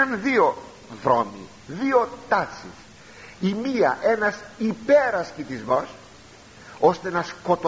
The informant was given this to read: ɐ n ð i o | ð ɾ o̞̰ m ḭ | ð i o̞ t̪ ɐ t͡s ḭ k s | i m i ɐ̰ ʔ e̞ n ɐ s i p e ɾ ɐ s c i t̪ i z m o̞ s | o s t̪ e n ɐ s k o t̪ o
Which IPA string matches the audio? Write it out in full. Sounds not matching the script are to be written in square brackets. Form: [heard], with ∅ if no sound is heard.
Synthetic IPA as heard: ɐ n ð i o | ð ɾ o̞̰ m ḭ | ð i o̞ t̪ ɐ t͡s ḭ [∅] s | i m i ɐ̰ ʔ e̞ n ɐ s i p e ɾ ɐ s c i t̪ i z m o̞ s | o s t̪ e n ɐ s k o t̪ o